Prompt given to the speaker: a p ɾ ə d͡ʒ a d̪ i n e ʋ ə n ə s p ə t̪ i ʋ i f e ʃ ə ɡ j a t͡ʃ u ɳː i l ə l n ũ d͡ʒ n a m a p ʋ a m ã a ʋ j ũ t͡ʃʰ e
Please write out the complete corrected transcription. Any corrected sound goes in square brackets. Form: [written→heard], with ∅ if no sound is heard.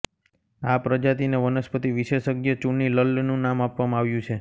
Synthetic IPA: a p ɾ ə d͡ʒ a [d̪→t̪] i n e ʋ ə n ə s p ə t̪ i ʋ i [f→ʃ] e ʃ ə ɡ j [a→ə] t͡ʃ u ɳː i l ə l n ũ [d͡ʒ→∅] n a m a p ʋ a m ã a ʋ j ũ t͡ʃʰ e